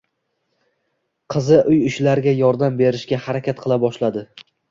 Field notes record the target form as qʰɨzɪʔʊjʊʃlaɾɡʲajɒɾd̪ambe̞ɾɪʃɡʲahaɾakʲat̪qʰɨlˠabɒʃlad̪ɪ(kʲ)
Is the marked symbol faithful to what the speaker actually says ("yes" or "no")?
no